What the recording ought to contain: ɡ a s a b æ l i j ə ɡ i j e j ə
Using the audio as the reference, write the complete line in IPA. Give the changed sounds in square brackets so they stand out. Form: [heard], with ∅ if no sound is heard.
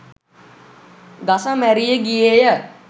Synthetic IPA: ɡ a s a [m] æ [ɾ] i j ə ɡ i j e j ə